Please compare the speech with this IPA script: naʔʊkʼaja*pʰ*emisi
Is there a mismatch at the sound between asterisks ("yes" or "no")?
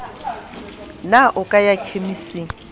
yes